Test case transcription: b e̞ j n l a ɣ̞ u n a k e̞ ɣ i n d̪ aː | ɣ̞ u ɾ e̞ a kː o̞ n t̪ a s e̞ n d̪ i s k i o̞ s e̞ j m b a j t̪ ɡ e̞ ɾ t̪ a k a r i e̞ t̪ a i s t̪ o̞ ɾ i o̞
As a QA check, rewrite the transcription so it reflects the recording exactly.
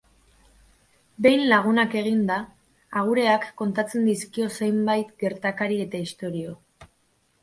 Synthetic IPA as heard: b e̞ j n l a ɣ̞ u n a k e̞ ɣ i n d̪ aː | ɣ̞ u ɾ e̞ a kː o̞ n t̪ a t͡s e̞ n d̪ i s k i o̞ s e̞ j m b a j t̪ ɡ e̞ ɾ t̪ a k a ɾ i e̞ t̪ a i s t̪ o̞ ɾ i o̞